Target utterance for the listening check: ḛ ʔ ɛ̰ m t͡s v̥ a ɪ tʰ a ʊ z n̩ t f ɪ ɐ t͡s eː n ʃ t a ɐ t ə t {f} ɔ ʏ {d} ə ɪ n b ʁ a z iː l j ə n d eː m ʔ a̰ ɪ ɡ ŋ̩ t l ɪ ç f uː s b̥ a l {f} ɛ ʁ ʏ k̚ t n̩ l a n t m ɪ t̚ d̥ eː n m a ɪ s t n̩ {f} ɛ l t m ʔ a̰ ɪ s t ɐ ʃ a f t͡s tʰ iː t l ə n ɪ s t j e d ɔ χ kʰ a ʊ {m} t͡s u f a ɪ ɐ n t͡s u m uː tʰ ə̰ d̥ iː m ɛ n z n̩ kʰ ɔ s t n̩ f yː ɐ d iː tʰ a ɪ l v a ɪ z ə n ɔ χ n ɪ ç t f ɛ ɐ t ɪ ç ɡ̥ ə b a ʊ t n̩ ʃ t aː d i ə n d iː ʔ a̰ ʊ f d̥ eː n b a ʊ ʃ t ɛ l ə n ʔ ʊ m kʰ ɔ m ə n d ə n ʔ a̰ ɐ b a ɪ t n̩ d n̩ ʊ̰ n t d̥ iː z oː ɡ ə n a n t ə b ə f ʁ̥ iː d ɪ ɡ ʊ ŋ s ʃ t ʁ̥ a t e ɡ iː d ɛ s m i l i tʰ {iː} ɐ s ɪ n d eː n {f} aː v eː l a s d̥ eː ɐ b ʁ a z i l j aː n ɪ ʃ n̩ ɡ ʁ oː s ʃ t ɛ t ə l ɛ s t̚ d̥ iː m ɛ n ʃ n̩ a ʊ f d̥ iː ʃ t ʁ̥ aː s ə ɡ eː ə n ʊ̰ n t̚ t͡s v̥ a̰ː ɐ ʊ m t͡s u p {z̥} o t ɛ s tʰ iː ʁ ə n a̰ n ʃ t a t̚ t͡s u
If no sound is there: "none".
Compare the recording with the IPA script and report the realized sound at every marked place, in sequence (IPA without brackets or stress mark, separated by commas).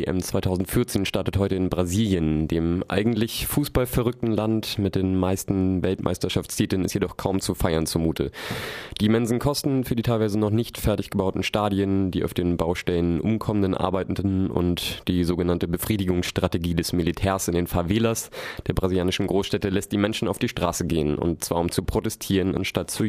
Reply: h, t, f, v, m, ɛː, f, ʁ̥